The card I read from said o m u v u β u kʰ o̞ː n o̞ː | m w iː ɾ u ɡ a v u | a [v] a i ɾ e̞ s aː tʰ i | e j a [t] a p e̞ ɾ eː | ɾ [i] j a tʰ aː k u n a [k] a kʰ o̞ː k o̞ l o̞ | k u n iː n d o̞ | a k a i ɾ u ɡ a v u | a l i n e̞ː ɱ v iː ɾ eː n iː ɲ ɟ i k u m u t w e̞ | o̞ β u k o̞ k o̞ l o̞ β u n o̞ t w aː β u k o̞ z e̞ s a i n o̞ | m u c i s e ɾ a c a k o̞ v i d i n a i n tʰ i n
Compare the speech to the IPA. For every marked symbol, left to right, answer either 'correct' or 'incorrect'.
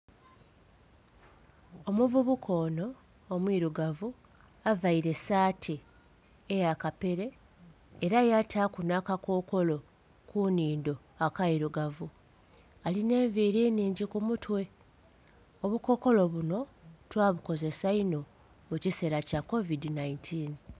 correct, incorrect, incorrect, correct

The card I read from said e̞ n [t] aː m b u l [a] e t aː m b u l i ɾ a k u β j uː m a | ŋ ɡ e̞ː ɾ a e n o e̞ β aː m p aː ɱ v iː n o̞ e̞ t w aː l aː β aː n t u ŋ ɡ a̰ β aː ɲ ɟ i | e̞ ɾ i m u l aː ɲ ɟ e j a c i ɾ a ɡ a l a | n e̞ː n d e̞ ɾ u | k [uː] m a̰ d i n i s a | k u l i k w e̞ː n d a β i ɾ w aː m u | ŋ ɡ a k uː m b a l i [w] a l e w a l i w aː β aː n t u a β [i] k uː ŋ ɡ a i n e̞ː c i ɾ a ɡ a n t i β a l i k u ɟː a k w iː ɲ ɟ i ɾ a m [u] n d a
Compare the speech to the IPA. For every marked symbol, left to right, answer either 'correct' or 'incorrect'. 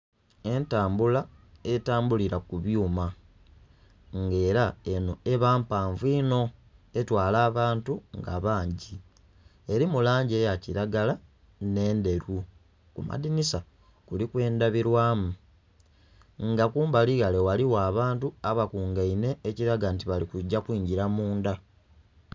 correct, correct, incorrect, incorrect, incorrect, incorrect

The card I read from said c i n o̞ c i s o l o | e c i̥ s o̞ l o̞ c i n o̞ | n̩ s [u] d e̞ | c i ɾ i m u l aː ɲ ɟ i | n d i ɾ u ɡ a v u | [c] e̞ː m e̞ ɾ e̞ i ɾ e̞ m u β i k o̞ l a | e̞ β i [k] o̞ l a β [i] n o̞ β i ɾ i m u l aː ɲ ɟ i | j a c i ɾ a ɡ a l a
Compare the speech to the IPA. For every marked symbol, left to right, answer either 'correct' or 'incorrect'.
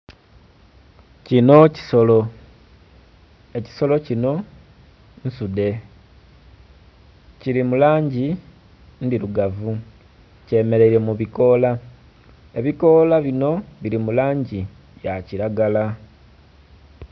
correct, correct, correct, correct

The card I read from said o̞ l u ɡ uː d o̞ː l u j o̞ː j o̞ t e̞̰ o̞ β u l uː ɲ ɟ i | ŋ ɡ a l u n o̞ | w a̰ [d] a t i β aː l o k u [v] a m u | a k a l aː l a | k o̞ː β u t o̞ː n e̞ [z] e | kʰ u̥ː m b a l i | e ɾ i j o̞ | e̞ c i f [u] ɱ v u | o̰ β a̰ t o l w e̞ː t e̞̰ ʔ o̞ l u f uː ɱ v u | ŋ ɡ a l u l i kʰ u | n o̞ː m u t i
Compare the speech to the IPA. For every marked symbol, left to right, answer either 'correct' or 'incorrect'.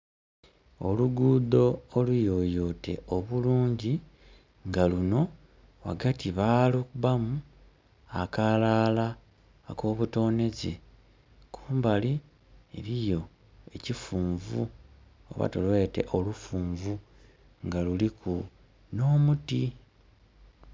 incorrect, incorrect, correct, incorrect

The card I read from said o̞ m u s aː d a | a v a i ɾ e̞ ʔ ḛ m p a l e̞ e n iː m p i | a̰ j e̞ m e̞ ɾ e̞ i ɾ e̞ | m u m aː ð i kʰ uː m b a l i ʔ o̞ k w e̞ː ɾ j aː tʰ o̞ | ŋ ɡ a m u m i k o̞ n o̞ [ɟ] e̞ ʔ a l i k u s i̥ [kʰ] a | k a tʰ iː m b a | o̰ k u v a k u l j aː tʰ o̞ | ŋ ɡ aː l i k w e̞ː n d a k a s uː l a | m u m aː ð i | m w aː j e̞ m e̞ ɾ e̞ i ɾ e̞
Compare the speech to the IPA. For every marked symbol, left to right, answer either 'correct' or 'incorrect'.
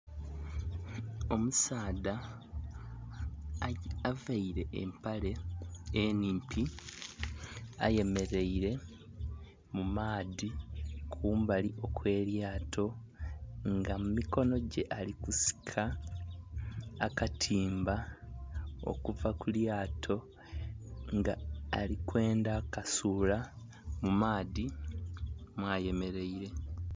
correct, correct

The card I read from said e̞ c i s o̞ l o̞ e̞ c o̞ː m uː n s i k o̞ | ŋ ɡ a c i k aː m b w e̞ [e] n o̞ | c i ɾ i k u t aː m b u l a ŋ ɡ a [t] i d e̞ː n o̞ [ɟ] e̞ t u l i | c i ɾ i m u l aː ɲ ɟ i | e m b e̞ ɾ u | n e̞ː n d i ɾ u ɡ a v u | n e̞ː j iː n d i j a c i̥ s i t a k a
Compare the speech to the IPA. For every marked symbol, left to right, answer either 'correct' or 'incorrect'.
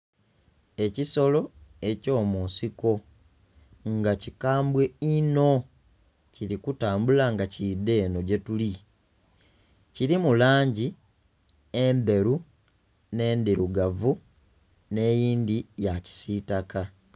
incorrect, incorrect, correct

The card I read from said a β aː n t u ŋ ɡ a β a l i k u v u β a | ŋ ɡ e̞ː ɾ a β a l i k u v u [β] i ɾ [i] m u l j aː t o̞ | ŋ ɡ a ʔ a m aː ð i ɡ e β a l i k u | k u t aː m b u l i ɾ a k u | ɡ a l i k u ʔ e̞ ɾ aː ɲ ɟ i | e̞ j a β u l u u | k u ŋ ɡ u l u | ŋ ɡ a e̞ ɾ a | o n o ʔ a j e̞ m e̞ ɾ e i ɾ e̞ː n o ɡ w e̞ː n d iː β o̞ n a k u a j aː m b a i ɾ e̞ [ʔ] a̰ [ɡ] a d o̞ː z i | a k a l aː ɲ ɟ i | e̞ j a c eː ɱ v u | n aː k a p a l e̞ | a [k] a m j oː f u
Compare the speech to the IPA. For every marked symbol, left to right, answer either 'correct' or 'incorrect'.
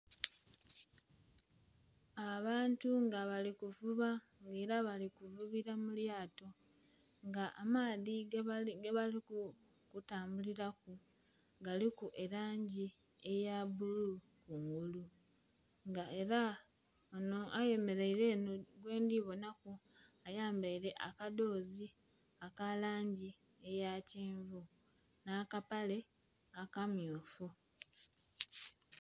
correct, incorrect, correct, incorrect, correct

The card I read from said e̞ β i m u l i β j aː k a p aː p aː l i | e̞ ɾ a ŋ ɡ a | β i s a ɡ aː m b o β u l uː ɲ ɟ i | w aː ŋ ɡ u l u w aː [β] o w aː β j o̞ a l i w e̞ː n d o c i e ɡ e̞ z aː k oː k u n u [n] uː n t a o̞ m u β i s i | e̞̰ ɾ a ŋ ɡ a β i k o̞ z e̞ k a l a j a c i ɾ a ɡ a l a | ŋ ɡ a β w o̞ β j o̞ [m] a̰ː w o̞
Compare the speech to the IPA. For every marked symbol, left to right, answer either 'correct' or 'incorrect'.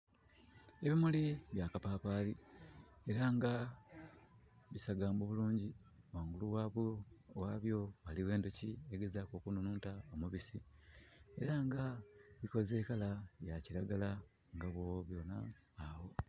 correct, correct, incorrect

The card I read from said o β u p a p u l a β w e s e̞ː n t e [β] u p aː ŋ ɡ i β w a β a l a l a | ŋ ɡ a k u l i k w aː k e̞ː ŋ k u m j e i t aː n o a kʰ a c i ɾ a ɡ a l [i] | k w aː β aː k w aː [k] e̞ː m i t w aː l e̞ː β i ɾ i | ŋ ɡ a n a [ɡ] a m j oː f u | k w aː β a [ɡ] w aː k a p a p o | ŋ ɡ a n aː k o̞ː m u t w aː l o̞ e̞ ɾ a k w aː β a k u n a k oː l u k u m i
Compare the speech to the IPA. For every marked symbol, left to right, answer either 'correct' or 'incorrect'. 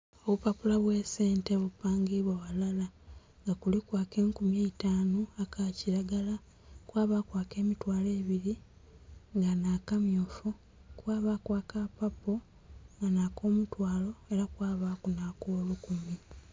correct, incorrect, correct, incorrect, incorrect

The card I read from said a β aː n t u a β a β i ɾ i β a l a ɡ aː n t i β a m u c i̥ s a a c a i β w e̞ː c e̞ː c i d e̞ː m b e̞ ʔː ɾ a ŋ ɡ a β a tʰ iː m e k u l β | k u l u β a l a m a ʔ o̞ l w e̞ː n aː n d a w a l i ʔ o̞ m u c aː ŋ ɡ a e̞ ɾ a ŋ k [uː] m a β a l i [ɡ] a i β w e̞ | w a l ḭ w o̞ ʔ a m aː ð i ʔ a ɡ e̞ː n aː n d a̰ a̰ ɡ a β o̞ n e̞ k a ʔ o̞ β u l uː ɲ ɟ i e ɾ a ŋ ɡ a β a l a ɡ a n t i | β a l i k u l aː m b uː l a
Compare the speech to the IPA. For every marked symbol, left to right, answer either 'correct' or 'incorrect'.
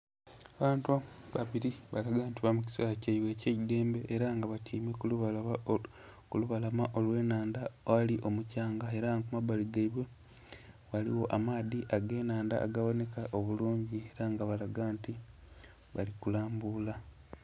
incorrect, correct

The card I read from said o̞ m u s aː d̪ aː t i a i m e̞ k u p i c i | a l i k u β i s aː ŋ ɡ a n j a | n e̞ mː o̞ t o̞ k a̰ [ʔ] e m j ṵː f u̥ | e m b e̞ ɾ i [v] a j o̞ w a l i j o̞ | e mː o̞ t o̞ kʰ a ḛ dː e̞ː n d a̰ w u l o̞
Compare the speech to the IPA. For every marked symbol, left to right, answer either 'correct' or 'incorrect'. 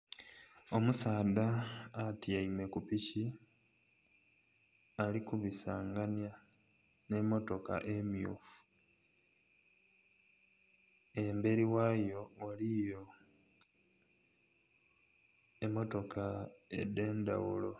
correct, incorrect

